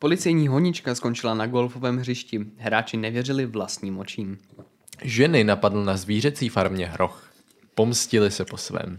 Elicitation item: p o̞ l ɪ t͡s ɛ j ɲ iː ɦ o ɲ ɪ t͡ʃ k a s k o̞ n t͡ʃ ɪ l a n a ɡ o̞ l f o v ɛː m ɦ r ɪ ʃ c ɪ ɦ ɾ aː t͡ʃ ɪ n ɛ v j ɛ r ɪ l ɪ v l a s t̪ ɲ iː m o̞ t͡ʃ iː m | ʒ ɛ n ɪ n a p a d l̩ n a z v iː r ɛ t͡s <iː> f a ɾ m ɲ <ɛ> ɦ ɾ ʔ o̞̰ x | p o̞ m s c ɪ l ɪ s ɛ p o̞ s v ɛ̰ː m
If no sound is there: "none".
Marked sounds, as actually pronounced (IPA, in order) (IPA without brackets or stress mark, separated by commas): iː, ɛ